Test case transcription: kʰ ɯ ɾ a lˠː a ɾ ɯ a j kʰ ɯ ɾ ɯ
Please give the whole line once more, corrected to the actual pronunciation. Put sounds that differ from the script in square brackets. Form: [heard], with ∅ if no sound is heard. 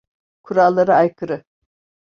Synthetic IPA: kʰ [u] ɾ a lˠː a ɾ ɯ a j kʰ ɯ ɾ ɯ